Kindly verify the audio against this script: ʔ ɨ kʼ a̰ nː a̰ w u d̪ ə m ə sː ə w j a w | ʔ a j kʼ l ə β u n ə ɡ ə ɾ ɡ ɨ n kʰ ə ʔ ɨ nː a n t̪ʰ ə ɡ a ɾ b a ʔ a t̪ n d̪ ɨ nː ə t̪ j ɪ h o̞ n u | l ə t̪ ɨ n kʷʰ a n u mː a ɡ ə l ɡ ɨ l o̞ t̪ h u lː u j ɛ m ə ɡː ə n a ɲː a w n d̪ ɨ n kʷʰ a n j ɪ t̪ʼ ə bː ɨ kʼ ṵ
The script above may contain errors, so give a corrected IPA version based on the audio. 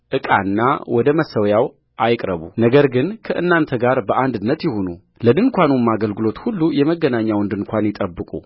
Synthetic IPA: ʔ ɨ kʼ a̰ nː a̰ w ɔ d̪ ə m ə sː ə w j a w | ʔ a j kʼ ɾ ə β u n ə ɡ ə ɾ ɡ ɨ n kʰ ə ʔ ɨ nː a n t̪ʰ ə ɡ a ɾ b ə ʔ a n d̪ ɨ nː ə t̪ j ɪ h o̞ n u | l ə d̪ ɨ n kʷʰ a n u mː a ɡ ə l ɡ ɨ l o̞ t̪ h u lː u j ɛ m ə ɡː ə n a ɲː a w n d̪ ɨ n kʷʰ a n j ɪ t̪ʼ ə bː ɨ kʼ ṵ

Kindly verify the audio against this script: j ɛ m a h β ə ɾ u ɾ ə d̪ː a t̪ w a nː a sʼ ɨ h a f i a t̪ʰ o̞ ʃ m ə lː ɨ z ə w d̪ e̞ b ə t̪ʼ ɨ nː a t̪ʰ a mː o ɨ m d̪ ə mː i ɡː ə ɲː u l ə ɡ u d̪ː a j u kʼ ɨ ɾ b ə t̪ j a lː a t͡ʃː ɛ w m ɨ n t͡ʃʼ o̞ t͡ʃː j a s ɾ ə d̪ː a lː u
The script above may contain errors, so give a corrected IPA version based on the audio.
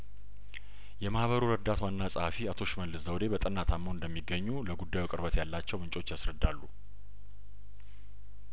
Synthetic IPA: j ɛ m a h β ə ɾ u ɾ ə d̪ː a t̪ w a nː a sʼ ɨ h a f i a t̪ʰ o̞ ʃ m ə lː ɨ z ə w d̪ e̞ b ə t̪ʼ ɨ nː a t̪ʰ a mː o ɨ n d̪ ə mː i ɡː ə ɲː u l ə ɡ u d̪ː a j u kʼ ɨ ɾ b ə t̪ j a lː a t͡ʃː ɛ w m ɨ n t͡ʃʼ o̞ t͡ʃː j a s ɾ ə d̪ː a lː u

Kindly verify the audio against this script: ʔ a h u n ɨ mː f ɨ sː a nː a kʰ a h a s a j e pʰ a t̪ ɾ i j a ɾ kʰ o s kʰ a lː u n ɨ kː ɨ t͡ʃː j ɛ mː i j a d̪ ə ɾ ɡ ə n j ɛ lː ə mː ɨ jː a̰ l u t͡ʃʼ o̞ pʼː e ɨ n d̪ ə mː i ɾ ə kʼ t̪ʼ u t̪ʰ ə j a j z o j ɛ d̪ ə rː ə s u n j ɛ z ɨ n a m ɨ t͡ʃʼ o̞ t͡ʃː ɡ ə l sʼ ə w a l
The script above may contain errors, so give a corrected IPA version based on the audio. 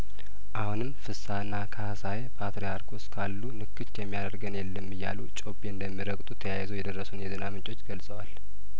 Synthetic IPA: ʔ a h u n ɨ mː f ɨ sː a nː a kʰ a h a s a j e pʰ a t̪ ɾ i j a ɾ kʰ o s kʰ a lː u n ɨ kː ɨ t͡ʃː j ɛ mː i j a d̪ ə ɾ ɡ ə n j ɛ lː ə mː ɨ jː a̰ l u t͡ʃʼ o̞ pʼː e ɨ n d̪ ə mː i ɾ ə kʼ t̪ʼ u t̪ʰ ə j a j z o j ɛ d̪ ə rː ə s u n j ɛ z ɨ n a m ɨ t͡ʃʼ o̞ t͡ʃː ɡ ə l sʼ ə w a l

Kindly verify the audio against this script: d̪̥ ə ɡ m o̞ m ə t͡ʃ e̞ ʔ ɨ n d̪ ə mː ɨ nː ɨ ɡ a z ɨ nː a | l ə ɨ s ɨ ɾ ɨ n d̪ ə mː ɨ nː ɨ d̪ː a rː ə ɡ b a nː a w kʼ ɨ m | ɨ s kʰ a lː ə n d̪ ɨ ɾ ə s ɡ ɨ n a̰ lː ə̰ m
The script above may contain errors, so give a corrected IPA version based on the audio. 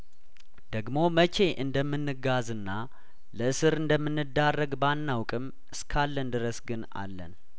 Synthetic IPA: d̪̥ ə ɡ m o̞ m ə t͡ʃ e̞ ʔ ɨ n d̪ ə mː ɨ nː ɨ ɡ a z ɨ nː a | l ə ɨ s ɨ ɾ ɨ n d̪ ə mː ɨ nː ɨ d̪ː a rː ə ɡ b a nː a w kʼ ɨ m | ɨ s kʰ a lː ə n d̪ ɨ ɾ ə s ɡ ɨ n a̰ lː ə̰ n

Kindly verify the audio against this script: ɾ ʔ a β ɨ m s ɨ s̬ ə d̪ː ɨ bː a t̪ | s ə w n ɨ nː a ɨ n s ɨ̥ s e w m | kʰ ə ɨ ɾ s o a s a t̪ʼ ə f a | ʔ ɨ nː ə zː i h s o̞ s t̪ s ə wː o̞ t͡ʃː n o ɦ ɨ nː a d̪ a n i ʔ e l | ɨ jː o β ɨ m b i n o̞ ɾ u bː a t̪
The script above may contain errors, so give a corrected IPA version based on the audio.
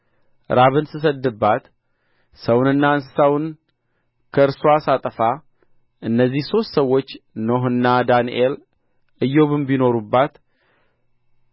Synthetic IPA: ɾ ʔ a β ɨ n s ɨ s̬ ə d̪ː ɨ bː a t̪ | s ə w n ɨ nː a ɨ n s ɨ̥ s a w n | kʰ ə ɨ ɾ s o a s a t̪ʼ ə f a | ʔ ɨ nː ə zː i h s o̞ s t̪ s ə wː o̞ t͡ʃː n o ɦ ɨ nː a d̪ a n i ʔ e l | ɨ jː o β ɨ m b i n o̞ ɾ u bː a t̪

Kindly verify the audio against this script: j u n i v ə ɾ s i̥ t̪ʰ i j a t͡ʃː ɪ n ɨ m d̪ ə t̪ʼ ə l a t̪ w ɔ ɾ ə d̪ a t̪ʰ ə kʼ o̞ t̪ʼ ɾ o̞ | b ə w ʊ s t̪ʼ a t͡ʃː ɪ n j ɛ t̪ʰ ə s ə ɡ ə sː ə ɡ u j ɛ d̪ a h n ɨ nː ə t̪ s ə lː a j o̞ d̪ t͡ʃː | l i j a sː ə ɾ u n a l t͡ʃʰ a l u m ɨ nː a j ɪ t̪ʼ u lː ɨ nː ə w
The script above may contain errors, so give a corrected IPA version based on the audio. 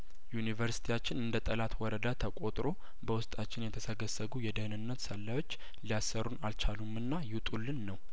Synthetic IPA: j u n i v ə ɾ s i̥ t̪ʰ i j a t͡ʃː ɪ n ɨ n d̪ ə t̪ʼ ə l a t̪ w ɔ ɾ ə d̪ a t̪ʰ ə kʼ o̞ t̪ʼ ɾ o̞ | b ə w ʊ s t̪ʼ a t͡ʃː ɪ n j ɛ t̪ʰ ə s ə ɡ ə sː ə ɡ u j ɛ d̪ ə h n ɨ nː ə t̪ s ə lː a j o̞ t͡ʃː | l i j a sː ə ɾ u n a l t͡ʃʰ a l u m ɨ nː a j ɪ t̪ʼ u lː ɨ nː ə w

